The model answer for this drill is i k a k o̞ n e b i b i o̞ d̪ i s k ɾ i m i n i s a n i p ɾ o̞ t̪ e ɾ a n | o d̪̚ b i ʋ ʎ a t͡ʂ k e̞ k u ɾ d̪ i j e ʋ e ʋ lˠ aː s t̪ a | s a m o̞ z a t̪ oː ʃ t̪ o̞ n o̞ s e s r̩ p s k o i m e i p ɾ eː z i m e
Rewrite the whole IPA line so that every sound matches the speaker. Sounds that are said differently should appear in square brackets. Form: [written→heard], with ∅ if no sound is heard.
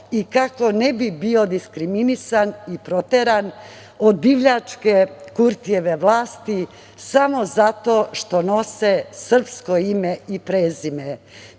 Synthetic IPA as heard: i k a k o̞ n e b i b i o̞ d̪ i s k ɾ i m i n i s a n i p ɾ o̞ t̪ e ɾ a n | o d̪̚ b i ʋ ʎ a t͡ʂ k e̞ k u ɾ [d̪→t̪] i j e ʋ e ʋ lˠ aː s t̪ [a→i] | s a m o̞ z a t̪ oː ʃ t̪ o̞ n o̞ s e s r̩ p s k o i m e i p ɾ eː z i m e